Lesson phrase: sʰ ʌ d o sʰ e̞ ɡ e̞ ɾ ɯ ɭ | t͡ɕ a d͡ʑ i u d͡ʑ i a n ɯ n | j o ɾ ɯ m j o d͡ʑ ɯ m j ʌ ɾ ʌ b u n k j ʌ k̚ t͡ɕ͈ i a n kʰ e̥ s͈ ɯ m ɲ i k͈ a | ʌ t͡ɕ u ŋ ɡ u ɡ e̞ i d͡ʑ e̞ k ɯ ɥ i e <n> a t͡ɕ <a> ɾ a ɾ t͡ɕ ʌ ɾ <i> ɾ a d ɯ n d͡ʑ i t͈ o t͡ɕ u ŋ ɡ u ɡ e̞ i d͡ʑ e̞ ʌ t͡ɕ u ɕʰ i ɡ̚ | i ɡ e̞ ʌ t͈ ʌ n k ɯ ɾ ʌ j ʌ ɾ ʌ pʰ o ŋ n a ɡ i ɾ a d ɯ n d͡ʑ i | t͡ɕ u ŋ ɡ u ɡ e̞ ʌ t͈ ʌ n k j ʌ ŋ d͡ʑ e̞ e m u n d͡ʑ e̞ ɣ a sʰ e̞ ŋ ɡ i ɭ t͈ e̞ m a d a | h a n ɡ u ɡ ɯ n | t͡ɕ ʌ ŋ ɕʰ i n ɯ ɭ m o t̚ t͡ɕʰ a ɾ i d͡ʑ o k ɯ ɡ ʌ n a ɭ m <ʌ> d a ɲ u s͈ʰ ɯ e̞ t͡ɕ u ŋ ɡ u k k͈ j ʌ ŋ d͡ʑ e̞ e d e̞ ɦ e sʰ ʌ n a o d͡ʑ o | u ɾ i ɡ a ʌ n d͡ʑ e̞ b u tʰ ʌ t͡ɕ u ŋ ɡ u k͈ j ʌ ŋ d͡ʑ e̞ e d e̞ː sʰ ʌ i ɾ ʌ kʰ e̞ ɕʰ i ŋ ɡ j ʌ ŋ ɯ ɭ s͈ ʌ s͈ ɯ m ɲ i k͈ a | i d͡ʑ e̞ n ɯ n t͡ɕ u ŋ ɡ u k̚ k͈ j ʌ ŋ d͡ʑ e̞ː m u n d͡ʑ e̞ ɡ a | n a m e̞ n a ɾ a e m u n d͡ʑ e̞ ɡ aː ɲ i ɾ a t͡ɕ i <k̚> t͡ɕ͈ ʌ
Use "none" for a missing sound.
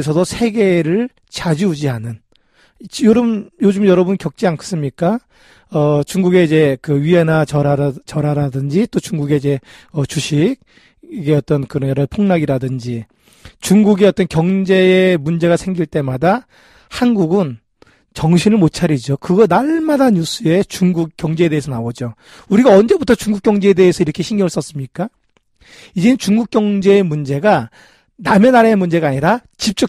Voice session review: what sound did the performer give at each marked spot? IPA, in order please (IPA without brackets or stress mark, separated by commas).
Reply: n, ʌ, a, a, p̚